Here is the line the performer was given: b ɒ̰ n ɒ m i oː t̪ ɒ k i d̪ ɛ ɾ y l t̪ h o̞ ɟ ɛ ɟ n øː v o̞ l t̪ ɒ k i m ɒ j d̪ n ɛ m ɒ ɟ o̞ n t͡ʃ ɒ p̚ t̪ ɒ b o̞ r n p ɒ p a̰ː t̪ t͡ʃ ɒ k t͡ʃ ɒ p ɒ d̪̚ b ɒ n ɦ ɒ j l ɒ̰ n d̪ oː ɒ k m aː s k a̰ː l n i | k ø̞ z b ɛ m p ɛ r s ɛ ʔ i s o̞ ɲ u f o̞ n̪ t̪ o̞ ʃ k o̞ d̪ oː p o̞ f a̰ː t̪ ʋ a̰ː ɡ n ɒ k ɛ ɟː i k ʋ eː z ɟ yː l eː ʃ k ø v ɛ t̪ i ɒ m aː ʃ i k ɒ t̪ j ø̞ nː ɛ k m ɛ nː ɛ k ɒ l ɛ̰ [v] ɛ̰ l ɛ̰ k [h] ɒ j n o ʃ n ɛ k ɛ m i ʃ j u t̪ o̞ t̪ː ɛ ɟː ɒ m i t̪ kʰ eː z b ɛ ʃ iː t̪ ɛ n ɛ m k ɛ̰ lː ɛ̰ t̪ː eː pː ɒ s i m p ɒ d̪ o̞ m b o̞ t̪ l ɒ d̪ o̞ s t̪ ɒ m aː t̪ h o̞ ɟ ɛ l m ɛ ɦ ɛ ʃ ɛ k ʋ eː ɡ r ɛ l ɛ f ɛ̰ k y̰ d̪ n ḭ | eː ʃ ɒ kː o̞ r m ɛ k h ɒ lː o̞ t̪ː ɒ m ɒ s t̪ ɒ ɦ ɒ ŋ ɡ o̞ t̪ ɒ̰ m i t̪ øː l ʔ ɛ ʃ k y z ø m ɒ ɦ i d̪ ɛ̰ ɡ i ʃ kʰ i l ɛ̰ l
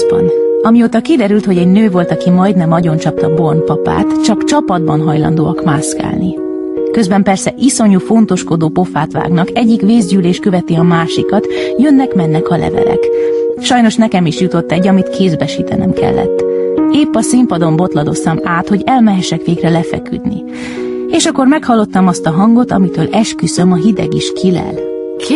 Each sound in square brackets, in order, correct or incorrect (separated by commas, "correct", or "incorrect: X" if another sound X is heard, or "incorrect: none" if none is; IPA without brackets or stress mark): correct, incorrect: ʃ